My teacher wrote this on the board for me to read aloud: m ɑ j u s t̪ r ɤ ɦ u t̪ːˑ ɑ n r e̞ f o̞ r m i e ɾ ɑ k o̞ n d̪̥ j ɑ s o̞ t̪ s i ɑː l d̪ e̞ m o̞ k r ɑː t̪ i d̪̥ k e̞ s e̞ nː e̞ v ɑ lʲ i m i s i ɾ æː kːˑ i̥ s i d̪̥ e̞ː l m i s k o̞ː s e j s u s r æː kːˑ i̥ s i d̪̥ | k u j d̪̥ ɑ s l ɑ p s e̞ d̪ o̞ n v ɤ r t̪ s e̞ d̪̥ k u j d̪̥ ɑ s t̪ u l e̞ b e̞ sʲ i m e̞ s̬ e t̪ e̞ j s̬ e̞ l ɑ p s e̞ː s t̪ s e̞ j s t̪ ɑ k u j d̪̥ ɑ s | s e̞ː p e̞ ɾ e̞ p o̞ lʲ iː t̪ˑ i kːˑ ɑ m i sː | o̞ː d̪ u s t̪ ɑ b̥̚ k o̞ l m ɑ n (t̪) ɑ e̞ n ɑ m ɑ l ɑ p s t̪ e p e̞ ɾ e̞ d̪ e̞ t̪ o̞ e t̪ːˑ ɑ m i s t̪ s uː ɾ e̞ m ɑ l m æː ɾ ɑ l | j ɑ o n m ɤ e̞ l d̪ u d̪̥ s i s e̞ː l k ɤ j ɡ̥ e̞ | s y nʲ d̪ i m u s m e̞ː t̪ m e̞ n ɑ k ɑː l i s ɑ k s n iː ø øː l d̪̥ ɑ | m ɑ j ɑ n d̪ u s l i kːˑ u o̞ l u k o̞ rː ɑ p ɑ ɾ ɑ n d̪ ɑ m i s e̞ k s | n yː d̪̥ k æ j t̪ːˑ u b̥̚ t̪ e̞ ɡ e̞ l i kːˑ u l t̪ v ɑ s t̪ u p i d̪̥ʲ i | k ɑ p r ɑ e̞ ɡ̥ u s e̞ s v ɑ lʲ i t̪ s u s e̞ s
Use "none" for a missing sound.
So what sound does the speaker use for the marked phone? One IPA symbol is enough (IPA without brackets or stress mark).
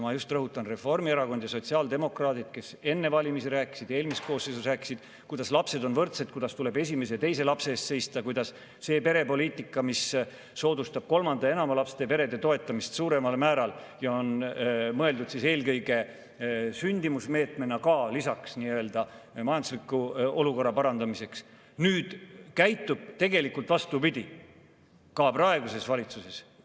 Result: d̪